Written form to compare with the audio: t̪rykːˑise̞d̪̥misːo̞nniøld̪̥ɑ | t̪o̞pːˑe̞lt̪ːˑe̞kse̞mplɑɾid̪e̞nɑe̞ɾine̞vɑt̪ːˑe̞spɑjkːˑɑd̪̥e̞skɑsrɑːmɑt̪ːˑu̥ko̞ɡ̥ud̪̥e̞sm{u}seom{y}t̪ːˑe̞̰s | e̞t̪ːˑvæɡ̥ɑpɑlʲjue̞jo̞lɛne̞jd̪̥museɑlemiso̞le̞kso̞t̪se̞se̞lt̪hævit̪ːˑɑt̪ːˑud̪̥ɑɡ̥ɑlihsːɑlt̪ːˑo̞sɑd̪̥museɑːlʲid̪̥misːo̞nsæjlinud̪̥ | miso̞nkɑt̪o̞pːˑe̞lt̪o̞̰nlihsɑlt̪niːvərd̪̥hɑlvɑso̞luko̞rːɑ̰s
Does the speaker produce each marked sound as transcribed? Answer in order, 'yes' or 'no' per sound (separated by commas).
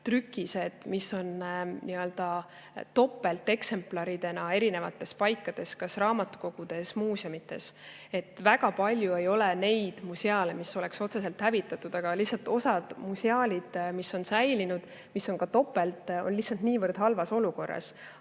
no, no